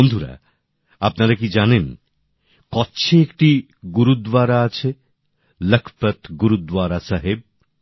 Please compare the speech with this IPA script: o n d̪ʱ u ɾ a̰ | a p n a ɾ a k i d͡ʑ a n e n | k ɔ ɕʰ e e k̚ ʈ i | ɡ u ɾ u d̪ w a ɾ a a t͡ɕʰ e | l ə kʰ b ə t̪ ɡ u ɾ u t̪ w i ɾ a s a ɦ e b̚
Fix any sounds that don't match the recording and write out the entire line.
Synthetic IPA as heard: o n d̪ʱ u ɾ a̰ | a p n a ɾ a k i d͡ʑ a n e n | k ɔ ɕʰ e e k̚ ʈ i | ɡ u ɾ u d̪ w a ɾ a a t͡ɕʰ e | l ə kʰ p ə t̪ ɡ u ɾ u d̪ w a ɾ a s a ɦ e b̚